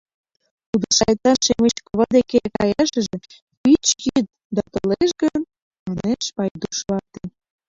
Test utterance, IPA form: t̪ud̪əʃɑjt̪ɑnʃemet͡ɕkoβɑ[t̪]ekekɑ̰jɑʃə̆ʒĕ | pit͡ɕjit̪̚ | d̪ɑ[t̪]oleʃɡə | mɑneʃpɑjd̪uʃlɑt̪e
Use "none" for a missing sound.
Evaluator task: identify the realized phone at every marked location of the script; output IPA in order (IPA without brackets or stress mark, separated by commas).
d̪, t̪